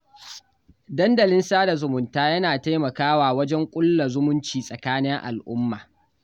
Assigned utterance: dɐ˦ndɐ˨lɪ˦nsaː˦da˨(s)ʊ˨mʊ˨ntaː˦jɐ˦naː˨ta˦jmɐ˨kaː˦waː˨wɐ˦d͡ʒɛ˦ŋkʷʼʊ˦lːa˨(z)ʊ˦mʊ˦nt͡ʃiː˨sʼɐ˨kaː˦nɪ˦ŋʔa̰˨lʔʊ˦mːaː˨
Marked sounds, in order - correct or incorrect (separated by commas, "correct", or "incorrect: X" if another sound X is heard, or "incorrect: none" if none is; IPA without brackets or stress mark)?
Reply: incorrect: z, correct